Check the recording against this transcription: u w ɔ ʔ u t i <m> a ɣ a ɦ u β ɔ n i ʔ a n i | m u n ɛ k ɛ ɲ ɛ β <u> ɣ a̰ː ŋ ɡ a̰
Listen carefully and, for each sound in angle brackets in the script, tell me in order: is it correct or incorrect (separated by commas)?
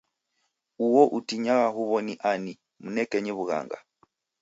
incorrect, correct